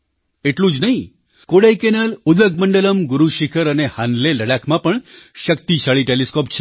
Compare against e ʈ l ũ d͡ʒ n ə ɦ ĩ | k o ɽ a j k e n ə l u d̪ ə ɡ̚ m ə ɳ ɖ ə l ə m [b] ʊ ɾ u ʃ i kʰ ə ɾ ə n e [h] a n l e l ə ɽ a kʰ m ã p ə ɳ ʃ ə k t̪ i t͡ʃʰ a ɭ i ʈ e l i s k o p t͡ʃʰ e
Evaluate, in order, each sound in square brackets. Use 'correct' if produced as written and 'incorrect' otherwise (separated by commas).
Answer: incorrect, correct